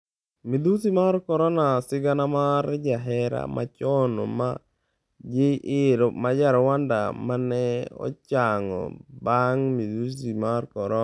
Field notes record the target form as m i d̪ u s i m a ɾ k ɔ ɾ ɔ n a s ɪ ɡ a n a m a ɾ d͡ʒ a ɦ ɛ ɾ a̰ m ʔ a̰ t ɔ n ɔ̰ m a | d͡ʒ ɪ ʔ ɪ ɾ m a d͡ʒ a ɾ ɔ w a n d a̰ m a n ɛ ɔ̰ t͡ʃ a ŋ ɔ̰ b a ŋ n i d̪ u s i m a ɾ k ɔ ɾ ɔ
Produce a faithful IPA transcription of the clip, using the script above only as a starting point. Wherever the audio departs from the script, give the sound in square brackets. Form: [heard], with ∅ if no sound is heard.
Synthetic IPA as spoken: m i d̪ u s i m a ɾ k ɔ ɾ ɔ n a s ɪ ɡ a n a m a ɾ d͡ʒ a ɦ ɛ ɾ a̰ m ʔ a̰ [t͡ʃ] ɔ n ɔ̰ m a | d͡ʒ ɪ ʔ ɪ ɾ m a d͡ʒ a ɾ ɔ w a n d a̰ m a n ɛ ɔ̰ t͡ʃ a ŋ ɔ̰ b a ŋ [m] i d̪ u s i m a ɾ k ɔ ɾ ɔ